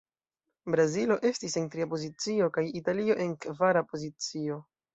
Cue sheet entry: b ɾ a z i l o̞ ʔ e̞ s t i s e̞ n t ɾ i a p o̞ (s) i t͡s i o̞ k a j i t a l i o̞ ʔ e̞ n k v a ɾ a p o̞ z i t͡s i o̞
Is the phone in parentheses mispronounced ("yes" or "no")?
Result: yes